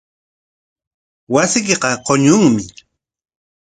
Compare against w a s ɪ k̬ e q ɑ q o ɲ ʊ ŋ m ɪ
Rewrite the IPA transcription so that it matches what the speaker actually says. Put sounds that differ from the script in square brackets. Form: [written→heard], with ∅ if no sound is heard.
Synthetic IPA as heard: w a s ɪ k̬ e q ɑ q o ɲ ʊ ŋ m ɪ